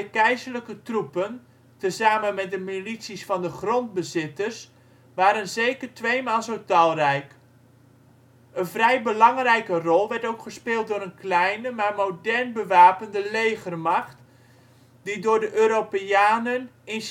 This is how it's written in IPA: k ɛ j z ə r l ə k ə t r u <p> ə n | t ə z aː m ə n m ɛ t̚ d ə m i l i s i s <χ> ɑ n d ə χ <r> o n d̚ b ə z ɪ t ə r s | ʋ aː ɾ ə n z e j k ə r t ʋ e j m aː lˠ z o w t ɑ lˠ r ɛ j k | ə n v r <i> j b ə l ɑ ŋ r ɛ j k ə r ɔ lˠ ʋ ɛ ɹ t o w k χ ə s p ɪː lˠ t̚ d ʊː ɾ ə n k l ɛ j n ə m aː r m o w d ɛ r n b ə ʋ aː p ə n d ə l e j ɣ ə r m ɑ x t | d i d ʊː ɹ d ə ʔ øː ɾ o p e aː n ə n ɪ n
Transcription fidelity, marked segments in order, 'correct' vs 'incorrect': correct, incorrect, correct, incorrect

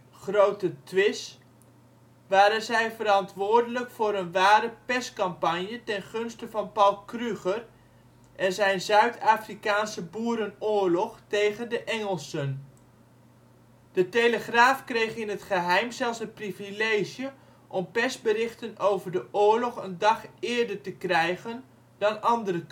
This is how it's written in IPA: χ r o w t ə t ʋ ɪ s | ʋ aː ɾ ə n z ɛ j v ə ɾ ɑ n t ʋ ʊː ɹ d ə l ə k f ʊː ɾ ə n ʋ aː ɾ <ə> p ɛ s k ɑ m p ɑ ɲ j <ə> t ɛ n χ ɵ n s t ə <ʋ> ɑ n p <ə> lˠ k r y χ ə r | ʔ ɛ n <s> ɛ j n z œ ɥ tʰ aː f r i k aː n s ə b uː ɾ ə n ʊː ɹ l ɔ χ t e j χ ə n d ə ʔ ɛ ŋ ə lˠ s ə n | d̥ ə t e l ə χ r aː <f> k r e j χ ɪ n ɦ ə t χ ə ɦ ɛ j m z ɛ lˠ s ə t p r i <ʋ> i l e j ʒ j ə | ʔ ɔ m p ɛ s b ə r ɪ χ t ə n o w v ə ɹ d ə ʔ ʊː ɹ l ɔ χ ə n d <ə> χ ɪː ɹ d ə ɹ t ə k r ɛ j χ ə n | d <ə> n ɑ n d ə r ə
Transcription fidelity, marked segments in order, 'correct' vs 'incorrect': correct, correct, incorrect, incorrect, incorrect, correct, incorrect, incorrect, incorrect

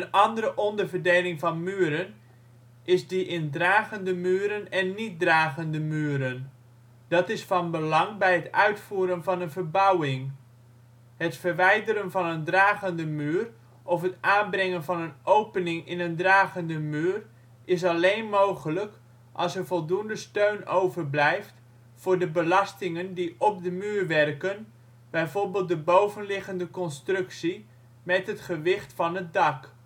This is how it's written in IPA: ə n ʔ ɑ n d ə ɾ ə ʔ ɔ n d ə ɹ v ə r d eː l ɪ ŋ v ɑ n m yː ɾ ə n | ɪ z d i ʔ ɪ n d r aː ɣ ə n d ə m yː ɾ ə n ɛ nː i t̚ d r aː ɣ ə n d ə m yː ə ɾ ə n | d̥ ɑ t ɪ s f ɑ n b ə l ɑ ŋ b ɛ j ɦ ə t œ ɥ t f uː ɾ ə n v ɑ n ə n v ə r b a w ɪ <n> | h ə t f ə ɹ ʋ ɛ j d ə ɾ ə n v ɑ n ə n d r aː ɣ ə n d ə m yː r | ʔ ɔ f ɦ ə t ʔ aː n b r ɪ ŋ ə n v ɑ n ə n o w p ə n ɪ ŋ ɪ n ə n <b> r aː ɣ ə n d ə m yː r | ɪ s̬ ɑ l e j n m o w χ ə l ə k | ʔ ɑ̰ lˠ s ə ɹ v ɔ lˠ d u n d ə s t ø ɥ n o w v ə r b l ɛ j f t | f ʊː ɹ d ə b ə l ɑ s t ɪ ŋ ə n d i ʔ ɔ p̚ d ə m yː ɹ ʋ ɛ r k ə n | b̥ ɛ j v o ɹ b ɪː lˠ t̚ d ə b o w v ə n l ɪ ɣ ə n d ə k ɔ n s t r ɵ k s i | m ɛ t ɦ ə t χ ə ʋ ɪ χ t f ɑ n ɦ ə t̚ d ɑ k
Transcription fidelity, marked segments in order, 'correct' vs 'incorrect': incorrect, incorrect

